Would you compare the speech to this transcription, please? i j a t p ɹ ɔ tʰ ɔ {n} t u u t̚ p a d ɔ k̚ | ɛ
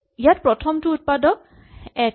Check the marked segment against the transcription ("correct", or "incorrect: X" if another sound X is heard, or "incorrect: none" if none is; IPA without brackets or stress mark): incorrect: m